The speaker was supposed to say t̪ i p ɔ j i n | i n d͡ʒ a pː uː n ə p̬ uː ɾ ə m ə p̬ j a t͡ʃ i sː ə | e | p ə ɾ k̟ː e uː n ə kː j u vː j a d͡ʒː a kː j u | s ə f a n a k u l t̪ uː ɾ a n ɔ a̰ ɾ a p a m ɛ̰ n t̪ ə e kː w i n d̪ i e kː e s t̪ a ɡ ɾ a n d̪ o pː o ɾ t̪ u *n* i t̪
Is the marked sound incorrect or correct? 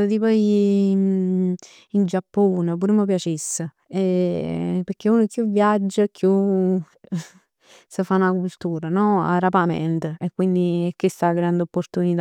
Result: correct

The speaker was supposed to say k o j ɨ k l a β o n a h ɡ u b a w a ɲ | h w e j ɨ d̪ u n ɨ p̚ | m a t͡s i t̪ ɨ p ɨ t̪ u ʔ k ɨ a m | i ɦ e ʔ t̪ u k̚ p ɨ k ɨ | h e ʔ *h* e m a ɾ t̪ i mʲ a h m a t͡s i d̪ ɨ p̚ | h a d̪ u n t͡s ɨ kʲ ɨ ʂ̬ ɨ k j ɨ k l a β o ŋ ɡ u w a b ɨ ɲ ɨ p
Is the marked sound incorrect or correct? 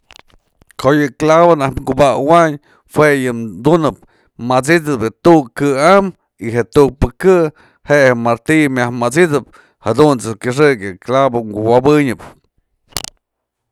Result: correct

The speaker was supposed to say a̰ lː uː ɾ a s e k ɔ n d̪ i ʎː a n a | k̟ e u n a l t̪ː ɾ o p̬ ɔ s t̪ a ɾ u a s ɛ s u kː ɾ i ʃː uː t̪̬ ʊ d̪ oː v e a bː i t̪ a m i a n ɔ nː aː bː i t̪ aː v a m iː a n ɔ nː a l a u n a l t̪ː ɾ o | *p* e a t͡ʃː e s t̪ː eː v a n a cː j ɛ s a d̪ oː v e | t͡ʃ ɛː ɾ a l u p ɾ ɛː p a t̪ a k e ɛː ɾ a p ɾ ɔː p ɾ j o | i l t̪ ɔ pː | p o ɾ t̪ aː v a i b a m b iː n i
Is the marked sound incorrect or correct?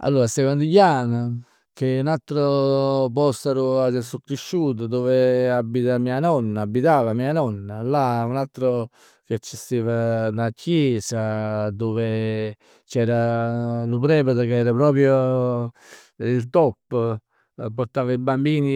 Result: incorrect: k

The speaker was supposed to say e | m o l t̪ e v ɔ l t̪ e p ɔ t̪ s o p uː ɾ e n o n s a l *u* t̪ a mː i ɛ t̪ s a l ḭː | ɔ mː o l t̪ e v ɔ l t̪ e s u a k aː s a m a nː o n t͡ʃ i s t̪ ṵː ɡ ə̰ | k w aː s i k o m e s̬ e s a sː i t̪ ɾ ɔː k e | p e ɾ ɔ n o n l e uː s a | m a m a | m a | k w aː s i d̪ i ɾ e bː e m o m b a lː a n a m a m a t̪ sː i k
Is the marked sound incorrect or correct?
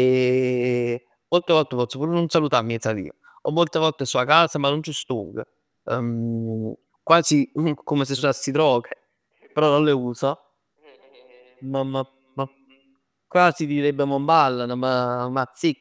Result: correct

